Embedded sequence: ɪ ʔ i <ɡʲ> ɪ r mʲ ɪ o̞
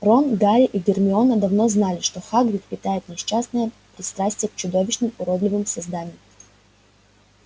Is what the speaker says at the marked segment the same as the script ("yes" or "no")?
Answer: yes